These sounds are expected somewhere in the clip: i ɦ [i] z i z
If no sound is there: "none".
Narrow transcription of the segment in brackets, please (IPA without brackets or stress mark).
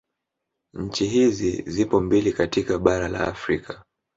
i